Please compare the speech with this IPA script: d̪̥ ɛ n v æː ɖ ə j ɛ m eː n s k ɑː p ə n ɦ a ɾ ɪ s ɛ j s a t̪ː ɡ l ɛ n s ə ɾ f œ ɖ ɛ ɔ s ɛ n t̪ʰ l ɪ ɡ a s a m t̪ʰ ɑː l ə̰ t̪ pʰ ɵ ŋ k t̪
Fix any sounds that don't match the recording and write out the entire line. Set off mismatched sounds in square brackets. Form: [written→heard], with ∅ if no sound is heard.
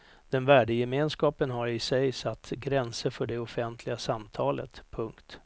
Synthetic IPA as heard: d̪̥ ɛ n v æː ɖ ə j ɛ m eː n s k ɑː p ə n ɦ a ɾ ɪ s ɛ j s a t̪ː ɡ [l→ɾ] ɛ n s ə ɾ f œ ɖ ɛ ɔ [s→f] ɛ n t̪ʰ l ɪ ɡ a s a m t̪ʰ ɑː l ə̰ t̪ pʰ ɵ ŋ k t̪